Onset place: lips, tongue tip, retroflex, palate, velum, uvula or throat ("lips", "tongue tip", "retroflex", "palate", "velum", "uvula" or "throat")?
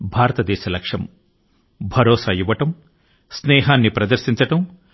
lips